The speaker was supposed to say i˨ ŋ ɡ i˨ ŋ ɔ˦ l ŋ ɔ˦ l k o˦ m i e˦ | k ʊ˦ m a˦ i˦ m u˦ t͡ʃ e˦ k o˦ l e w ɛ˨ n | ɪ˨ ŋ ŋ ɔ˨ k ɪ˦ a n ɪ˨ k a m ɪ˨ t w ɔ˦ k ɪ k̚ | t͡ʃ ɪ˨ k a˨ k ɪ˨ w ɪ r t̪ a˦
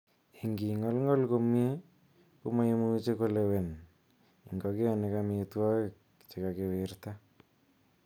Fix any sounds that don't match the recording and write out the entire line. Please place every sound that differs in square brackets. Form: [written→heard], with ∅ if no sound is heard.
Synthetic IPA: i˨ ŋ ɡ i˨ ŋ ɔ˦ l ŋ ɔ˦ l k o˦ m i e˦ | k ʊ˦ m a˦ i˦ m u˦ t͡ʃ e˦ k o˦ l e w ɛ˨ n | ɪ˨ ŋ [ŋ→ɡ] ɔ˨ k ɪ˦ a n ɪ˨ k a m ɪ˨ t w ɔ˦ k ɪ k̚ | t͡ʃ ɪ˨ k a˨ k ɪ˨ w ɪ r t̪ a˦